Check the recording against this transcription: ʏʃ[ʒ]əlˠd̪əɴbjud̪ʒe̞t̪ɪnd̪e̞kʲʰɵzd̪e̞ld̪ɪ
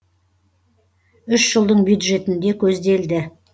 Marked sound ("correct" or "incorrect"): correct